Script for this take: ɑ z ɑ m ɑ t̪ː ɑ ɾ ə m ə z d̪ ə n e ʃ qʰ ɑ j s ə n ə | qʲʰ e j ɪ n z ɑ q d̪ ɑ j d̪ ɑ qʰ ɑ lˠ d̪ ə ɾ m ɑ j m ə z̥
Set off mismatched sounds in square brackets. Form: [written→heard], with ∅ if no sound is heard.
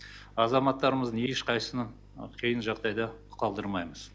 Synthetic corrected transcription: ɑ z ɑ m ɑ t̪ː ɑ ɾ ə m ə z d̪ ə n e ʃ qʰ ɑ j s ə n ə | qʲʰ e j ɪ n [z→ʒ] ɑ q d̪ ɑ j d̪ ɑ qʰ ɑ lˠ d̪ ə ɾ m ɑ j m ə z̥

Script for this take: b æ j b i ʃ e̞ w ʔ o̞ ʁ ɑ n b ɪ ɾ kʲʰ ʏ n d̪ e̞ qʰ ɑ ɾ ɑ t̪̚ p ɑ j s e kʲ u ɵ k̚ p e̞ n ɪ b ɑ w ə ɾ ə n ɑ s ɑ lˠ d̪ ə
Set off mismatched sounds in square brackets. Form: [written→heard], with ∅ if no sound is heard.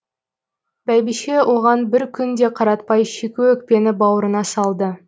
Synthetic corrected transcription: b æ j b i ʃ e̞ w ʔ o̞ ʁ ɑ n b ɪ ɾ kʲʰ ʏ n d̪ e̞ qʰ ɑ ɾ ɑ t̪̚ p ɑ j [s→ʃ] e kʲ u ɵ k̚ p e̞ n ɪ b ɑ w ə ɾ ə n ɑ s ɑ lˠ d̪ ə

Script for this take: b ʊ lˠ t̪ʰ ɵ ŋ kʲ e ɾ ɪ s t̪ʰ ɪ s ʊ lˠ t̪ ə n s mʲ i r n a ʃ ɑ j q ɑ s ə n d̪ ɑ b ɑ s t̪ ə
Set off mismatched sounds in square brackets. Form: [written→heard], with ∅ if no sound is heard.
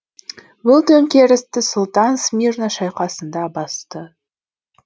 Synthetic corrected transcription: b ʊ lˠ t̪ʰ ɵ ŋ kʲ e ɾ ɪ s [t̪ʰ→t̪] ɪ s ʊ lˠ t̪ [ə→ɑ] n s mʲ i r n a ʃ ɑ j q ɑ s ə n d̪ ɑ b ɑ s t̪ ə

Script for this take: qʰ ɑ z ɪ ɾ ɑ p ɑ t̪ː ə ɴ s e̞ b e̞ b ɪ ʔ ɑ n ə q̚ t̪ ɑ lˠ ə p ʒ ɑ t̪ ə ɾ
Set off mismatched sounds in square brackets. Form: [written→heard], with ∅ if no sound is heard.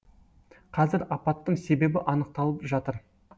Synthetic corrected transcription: qʰ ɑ z ɪ ɾ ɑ p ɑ t̪ː ə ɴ s e̞ b e̞ b ɪ ʔ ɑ n ə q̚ t̪ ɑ lˠ ə p ʒ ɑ t̪ ə ɾ

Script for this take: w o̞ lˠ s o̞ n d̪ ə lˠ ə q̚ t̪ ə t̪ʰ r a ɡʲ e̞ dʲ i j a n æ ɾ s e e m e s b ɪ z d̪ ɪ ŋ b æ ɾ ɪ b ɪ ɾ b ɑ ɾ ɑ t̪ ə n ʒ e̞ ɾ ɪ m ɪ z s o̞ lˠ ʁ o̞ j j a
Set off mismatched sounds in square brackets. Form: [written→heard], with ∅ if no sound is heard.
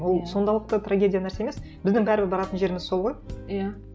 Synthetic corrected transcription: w o̞ lˠ s o̞ n d̪ [ə→ɑ] lˠ ə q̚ t̪ ə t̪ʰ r a ɡʲ e̞ dʲ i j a n æ ɾ s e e m e s b ɪ z d̪ ɪ ŋ b æ ɾ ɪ b ɪ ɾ b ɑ ɾ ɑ t̪ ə n ʒ e̞ ɾ ɪ m ɪ z s o̞ lˠ ʁ o̞ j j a

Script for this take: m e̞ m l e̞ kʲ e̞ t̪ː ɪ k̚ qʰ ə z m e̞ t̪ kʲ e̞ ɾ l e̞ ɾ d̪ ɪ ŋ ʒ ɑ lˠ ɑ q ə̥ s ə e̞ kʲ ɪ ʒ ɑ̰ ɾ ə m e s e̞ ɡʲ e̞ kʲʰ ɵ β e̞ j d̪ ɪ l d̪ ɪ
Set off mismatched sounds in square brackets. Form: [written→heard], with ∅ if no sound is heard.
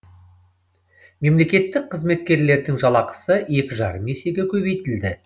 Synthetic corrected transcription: m e̞ m l e̞ kʲ e̞ t̪ː ɪ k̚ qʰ ə z m e̞ t̪ kʲ e̞ ɾ l e̞ ɾ d̪ ɪ ŋ ʒ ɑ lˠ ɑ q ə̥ s ə e̞ kʲ ɪ ʒ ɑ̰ ɾ ə m e s e̞ ɡʲ e̞ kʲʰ ɵ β e̞ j [d̪→t̪] ɪ l d̪ ɪ

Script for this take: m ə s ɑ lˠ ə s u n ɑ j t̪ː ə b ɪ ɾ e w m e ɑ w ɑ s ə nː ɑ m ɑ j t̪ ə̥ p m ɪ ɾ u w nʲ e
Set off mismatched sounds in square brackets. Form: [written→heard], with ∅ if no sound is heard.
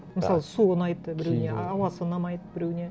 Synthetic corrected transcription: m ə s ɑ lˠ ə s u n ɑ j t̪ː ə b ɪ ɾ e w [m→n] e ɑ w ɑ s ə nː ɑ m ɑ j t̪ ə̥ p [m→b] ɪ ɾ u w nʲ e

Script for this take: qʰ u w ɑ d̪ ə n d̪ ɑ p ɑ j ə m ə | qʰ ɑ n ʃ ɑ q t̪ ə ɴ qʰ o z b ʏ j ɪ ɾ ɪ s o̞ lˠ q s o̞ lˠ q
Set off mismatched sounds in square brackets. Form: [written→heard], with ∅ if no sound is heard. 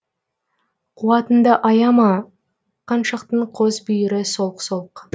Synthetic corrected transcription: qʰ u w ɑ [d̪→t̪] ə n d̪ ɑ [p→ʔ] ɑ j [ə→ɑ] m [ə→ɑ] | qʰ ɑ n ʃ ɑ q t̪ ə ɴ qʰ o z b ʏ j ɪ ɾ ɪ s o̞ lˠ q s o̞ lˠ q

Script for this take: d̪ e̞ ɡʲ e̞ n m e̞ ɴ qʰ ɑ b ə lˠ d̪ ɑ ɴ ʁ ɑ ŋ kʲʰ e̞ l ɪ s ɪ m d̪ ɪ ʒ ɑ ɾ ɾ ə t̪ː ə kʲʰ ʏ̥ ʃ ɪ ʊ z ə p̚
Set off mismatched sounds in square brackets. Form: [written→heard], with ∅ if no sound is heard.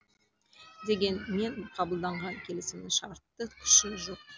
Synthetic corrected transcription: d̪ e̞ ɡʲ e̞ n m e̞ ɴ qʰ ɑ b ə lˠ d̪ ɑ ɴ ʁ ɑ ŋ kʲʰ e̞ l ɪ s ɪ m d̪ ɪ [ʒ→ʃ] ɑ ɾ ɾ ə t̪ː ə kʲʰ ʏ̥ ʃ ɪ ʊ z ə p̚

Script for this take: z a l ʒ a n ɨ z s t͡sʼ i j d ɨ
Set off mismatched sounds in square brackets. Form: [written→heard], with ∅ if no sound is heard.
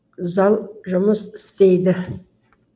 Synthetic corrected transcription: z a l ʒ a [n→m] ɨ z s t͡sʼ [i→e] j d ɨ

